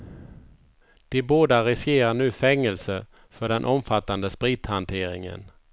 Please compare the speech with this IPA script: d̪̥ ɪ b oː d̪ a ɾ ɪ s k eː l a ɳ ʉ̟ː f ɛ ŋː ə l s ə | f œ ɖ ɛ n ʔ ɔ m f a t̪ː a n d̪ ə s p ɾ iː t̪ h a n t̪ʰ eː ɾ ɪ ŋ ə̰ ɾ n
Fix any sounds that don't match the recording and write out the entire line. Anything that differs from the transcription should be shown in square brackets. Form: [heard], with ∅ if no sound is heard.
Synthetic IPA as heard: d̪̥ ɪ b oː d̪ a ɾ ɪ s k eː [ɾ] a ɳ ʉ̟ː f ɛ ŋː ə l s ə | f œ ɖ ɛ n ʔ ɔ m f a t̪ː a n d̪ ə s p ɾ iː t̪ h a n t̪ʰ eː ɾ ɪ ŋ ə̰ [∅] n